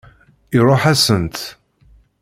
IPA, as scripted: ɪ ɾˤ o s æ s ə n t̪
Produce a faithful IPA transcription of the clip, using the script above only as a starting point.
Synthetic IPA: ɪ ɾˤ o ħ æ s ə n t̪